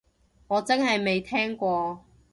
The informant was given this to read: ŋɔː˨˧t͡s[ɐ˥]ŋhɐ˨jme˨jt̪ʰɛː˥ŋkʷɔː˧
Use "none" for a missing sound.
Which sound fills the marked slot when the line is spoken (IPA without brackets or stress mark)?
ɐ˥